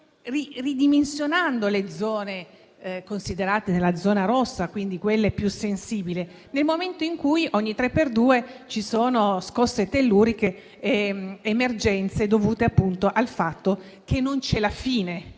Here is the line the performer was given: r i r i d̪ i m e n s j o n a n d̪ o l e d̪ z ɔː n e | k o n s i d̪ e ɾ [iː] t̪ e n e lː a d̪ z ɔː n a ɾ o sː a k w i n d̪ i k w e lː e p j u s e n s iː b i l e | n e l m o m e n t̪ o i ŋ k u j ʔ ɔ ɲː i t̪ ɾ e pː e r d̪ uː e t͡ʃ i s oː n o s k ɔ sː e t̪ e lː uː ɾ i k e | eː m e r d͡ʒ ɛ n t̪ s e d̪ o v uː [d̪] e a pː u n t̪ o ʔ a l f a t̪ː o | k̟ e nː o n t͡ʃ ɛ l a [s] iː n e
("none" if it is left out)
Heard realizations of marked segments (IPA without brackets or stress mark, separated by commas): aː, t̪, f